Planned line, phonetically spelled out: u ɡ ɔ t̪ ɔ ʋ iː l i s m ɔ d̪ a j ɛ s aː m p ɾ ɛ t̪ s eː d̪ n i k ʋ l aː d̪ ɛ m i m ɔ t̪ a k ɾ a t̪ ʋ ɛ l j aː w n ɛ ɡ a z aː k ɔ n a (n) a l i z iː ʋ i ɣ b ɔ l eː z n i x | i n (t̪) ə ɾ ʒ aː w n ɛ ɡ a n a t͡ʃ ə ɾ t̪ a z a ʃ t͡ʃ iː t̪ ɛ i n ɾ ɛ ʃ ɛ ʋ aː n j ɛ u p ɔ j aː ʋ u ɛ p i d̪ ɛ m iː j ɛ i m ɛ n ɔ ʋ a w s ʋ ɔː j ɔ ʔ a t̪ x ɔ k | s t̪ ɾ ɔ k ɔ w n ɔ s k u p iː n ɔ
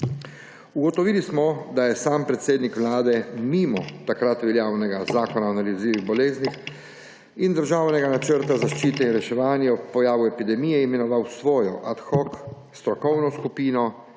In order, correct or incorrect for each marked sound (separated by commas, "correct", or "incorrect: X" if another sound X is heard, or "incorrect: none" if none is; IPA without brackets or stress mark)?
correct, incorrect: d̪